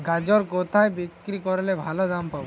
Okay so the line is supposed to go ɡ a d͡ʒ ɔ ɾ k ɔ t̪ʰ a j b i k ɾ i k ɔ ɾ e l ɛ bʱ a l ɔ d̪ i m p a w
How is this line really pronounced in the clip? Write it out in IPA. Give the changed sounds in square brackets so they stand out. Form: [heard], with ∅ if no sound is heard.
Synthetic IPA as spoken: ɡ a d͡ʒ ɔ ɾ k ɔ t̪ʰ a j b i k ɾ i k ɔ ɾ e l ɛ bʱ a l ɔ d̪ [a] m p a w